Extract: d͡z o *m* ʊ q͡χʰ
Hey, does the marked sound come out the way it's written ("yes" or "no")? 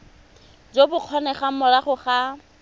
no